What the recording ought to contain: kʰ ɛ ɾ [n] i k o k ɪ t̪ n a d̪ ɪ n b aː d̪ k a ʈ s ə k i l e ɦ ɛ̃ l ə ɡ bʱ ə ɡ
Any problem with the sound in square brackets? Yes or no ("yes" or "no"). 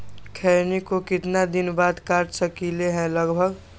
no